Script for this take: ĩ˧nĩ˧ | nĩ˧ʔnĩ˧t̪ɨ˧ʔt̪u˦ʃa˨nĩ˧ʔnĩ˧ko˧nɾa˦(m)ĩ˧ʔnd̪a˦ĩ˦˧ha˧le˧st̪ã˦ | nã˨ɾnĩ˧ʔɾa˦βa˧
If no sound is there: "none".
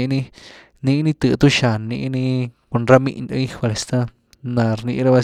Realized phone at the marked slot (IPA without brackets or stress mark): m